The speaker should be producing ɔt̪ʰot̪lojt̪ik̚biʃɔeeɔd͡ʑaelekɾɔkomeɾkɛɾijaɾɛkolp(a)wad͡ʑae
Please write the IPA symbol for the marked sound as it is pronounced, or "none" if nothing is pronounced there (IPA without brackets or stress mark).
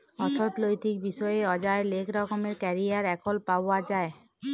a